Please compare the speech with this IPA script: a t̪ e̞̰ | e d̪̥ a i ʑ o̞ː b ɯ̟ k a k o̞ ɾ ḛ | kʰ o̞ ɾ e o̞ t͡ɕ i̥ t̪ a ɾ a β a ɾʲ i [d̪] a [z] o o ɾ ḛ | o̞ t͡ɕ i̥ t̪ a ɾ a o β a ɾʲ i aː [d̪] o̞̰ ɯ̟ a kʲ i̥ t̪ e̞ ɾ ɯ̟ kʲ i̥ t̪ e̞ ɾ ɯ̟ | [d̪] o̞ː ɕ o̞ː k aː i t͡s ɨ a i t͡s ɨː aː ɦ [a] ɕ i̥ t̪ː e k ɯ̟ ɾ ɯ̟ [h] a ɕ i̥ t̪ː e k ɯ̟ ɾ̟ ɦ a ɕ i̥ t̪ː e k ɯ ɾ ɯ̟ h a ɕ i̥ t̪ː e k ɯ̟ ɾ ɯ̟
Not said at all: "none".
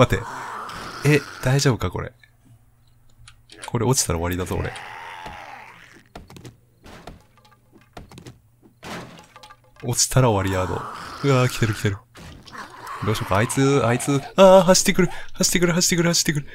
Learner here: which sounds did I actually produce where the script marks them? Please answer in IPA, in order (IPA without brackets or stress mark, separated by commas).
d̪, z, d̪, d̪, a, h